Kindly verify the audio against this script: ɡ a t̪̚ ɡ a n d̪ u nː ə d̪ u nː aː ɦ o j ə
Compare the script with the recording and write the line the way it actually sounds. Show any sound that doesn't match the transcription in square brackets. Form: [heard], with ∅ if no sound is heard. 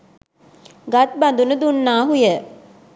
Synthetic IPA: ɡ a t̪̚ [b] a n d̪ u [n] ə d̪ u nː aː ɦ [u] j ə